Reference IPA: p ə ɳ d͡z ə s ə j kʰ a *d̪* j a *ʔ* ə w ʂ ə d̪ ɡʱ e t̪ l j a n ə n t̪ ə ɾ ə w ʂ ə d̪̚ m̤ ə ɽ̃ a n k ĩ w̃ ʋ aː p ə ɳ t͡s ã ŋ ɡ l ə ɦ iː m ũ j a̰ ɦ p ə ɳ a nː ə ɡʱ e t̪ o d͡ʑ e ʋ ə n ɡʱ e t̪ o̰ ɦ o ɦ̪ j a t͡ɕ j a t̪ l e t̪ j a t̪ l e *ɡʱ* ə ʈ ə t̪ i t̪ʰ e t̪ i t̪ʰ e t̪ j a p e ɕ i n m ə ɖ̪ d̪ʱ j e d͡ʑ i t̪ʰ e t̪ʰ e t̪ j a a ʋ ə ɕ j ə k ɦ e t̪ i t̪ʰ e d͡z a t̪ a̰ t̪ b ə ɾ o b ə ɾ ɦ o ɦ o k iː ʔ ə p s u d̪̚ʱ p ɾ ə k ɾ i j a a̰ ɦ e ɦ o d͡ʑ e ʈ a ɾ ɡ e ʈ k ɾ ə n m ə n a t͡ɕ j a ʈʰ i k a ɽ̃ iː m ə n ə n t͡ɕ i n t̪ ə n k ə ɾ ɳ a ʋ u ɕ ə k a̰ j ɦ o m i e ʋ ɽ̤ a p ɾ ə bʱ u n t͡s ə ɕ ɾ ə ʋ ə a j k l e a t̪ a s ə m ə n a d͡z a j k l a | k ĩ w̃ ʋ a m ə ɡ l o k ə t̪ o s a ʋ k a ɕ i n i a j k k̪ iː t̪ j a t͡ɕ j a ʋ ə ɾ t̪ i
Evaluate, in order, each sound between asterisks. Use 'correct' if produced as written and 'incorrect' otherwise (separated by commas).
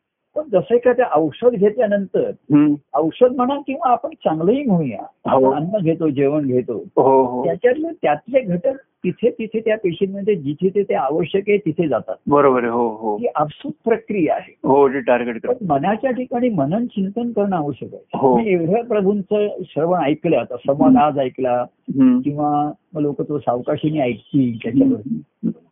incorrect, correct, correct